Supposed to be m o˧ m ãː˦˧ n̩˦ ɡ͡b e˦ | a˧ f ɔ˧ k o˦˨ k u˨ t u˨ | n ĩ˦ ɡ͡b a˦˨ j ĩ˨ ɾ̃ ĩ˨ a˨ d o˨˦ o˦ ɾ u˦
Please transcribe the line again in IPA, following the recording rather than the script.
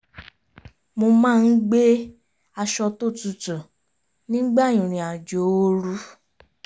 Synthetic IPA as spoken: m o˧ m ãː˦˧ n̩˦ ɡ͡b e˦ | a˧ ʃ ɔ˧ t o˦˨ t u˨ t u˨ | n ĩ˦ ɡ͡b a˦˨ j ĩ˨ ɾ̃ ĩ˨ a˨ d͡ʒ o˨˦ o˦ ɾ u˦